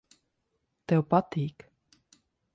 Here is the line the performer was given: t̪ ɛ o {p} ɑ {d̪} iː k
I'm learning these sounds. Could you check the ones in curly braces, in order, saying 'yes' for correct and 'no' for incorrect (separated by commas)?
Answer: yes, no